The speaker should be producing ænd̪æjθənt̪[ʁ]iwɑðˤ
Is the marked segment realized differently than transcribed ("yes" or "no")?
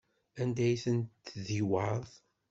yes